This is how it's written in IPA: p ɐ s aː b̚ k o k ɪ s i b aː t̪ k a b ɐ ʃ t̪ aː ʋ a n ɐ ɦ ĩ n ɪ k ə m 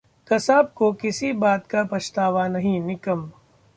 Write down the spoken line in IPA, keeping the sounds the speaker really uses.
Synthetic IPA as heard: k ɐ s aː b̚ k o k ɪ s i b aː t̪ k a p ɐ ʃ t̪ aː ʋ a n ɐ ɦ ĩ n ɪ k ə m